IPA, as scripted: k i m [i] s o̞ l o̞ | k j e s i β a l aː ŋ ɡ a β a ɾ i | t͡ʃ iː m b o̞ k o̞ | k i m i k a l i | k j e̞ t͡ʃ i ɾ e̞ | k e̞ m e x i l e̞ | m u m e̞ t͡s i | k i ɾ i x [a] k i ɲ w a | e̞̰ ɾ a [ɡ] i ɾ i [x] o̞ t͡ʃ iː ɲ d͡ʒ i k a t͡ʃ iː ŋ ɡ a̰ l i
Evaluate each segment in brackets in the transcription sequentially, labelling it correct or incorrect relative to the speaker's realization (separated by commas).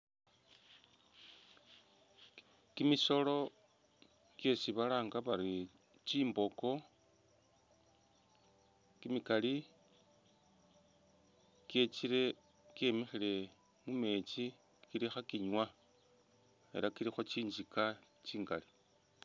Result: correct, correct, incorrect, correct